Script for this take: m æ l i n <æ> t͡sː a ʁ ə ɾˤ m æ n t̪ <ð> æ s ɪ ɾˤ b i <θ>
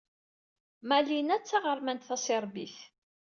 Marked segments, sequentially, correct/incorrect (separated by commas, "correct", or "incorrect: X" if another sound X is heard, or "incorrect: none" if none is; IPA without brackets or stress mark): correct, incorrect: θ, correct